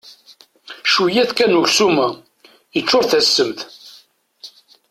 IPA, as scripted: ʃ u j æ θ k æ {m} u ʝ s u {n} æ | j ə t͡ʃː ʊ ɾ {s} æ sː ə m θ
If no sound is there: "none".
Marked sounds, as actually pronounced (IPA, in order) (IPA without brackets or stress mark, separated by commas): n, m, θ